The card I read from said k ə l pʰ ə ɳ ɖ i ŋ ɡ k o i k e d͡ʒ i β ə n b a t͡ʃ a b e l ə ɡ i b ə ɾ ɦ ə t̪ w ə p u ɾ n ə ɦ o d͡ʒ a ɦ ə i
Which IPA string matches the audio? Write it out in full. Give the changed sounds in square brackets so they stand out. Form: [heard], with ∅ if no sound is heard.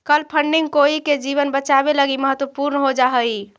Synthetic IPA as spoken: k ə l pʰ ə ɳ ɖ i ŋ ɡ k o i k e d͡ʒ i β ə n b [ə] t͡ʃ a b e l ə ɡ i [m] ə [∅] ɦ ə t̪ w ə p u ɾ n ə ɦ o d͡ʒ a ɦ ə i